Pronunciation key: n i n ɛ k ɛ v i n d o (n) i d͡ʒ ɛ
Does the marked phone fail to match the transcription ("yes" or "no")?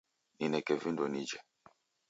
no